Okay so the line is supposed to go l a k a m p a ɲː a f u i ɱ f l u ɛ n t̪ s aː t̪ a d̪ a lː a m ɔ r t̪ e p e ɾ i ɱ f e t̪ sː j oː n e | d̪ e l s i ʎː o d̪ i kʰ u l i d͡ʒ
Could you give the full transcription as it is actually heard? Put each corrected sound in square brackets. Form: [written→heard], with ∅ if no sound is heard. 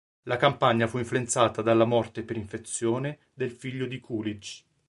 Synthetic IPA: l a k a m p a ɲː a f u i ɱ f l u [ɛ→e] n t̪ s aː t̪ a d̪ a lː a m ɔ r t̪ e p e ɾ i ɱ f e t̪ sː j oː n e | d̪ e l [s→f] i ʎː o d̪ i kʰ u l i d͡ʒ